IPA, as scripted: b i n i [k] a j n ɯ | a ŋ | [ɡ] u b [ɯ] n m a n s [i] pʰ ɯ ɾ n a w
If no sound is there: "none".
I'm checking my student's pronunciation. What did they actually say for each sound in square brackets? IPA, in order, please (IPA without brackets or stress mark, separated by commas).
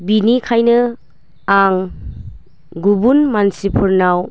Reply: kʰ, ɡ, u, i